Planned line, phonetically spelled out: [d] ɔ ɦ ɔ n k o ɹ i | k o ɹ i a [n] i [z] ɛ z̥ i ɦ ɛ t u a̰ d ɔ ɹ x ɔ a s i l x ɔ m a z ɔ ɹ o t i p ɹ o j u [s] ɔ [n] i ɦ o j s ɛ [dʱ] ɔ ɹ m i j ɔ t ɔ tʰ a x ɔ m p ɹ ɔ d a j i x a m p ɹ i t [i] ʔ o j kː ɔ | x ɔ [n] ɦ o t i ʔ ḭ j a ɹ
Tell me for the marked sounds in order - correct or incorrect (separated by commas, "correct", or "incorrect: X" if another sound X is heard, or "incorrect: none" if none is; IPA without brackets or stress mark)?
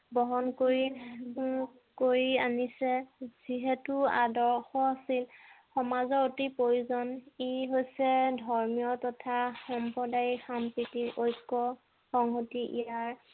incorrect: b, correct, incorrect: s, incorrect: z, correct, correct, correct, incorrect: ŋ